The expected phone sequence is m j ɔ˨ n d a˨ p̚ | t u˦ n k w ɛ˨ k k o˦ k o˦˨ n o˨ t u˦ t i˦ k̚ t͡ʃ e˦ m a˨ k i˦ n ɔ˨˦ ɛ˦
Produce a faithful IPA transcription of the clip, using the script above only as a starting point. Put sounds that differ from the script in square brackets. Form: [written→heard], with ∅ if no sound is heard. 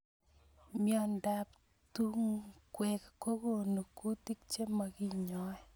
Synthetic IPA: m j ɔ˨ n d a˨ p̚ | t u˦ [n→ŋ] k w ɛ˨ k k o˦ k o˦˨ n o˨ [t→k] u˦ t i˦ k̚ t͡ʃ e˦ m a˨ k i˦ [n→ɲ] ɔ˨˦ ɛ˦